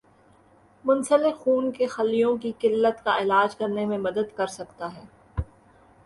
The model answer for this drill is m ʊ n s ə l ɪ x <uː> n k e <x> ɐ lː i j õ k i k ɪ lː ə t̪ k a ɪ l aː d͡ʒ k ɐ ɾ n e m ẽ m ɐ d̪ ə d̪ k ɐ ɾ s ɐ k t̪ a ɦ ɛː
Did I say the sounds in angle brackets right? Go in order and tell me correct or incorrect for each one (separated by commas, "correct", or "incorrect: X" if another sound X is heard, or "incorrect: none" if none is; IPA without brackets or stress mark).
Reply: correct, correct